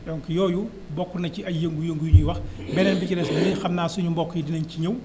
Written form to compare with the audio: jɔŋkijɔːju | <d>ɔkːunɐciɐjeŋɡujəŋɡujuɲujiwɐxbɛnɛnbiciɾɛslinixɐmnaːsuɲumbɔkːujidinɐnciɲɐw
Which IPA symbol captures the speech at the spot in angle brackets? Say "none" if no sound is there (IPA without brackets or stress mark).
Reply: b